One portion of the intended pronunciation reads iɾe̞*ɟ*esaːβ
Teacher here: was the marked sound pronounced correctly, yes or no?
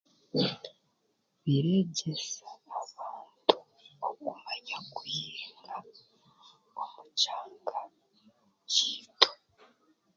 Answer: yes